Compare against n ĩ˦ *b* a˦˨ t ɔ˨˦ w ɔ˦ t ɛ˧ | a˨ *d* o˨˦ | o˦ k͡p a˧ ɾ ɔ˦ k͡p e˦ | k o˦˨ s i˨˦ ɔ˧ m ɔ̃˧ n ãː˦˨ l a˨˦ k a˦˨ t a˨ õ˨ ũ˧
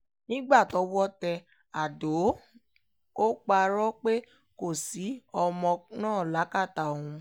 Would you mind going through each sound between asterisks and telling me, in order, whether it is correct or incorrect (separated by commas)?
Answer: incorrect, correct